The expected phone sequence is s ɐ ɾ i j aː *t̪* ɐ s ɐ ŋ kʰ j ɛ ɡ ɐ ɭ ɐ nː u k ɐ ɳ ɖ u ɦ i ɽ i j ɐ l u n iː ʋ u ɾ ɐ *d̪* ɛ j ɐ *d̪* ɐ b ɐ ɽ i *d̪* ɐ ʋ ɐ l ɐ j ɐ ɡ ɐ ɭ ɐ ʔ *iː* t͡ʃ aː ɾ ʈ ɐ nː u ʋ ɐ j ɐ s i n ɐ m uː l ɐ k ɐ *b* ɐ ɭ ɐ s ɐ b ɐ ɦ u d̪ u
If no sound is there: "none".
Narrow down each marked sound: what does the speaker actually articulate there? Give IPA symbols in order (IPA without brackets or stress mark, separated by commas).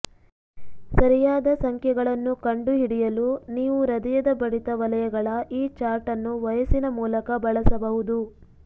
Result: d̪, d̪, d̪, t̪, iː, b